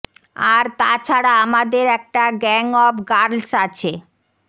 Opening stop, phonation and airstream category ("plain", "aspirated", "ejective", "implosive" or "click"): plain